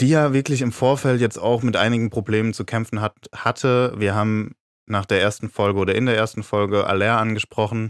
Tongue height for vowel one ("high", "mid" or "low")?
high